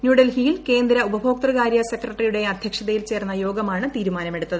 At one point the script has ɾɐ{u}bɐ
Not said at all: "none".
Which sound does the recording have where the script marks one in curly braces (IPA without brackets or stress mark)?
u